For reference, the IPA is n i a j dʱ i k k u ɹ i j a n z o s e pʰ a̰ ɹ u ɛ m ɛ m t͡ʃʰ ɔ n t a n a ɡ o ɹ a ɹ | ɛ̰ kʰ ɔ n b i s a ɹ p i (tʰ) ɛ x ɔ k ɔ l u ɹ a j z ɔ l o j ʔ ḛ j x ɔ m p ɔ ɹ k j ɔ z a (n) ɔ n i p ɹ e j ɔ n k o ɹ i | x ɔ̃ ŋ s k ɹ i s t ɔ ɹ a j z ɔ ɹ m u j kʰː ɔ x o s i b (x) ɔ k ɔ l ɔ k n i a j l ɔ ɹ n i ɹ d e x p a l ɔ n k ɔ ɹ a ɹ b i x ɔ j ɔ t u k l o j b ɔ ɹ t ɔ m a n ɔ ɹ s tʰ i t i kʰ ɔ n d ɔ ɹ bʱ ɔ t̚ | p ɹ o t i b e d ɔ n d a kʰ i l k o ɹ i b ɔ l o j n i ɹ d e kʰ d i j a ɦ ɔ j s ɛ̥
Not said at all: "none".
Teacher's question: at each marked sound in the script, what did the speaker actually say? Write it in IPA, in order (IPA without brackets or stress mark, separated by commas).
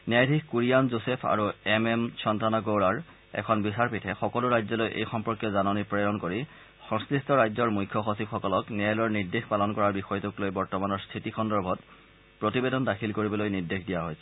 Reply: tʰ, n, x